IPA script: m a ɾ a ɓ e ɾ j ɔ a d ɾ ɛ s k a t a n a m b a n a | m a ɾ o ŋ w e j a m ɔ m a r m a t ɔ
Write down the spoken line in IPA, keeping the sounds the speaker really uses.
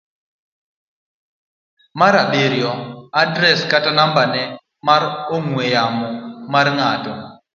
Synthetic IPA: m a ɾ a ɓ e ɾ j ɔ a d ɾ ɛ s k a t a n a m b a n ɛ | m a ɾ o ŋ w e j a m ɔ m a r ŋ a t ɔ